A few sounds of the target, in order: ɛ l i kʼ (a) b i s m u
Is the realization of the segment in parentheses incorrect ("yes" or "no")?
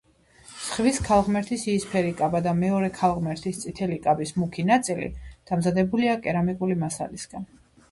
no